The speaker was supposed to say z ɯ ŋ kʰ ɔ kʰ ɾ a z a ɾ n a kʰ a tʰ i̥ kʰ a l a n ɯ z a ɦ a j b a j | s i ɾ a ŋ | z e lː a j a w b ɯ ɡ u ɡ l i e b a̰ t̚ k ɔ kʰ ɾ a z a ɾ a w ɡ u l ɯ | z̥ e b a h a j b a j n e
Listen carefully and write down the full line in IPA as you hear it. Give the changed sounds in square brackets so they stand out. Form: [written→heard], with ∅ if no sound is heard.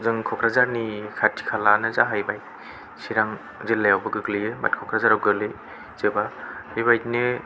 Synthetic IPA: z ɯ ŋ kʰ ɔ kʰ ɾ a z a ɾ n [a→i] kʰ a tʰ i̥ kʰ a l a n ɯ z a ɦ a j b a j | s i ɾ a ŋ | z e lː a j a w b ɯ ɡ [u→ɯ] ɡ l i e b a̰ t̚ [k→kʰ] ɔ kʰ ɾ a z a ɾ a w ɡ [u→ɯ] l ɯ | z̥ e b a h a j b a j n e